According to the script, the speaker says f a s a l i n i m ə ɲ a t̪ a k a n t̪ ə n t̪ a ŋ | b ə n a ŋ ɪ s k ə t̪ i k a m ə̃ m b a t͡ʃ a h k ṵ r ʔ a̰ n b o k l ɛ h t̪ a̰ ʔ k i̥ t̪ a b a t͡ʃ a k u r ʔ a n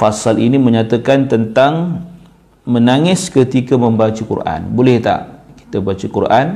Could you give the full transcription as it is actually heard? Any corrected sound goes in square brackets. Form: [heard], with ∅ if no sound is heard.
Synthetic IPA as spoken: f a s a l i n i m ə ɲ a t̪ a k a n t̪ ə n t̪ a ŋ | [m] ə n a ŋ ɪ s k ə t̪ i k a m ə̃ m b a t͡ʃ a [∅] k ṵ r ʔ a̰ n b o [∅] l ɛ h t̪ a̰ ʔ k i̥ t̪ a b a t͡ʃ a k u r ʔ a n